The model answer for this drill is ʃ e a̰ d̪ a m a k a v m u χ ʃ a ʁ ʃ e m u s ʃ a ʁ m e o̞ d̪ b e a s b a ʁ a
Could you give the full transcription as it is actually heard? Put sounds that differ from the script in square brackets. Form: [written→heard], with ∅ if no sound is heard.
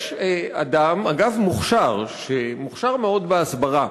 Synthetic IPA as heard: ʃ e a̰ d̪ a m a [k→ɡ] a v m u χ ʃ a ʁ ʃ e m u [s→χ] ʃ a ʁ m e o̞ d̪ b e a s b a ʁ a